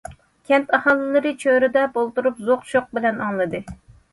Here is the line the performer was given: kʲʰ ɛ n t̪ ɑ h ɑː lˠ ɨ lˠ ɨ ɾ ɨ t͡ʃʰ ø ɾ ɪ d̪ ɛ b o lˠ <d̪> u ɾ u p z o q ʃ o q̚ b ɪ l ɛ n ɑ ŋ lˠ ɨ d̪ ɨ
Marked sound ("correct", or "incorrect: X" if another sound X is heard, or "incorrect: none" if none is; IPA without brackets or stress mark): incorrect: t̪